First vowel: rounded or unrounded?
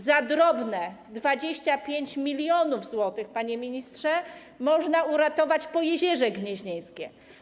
unrounded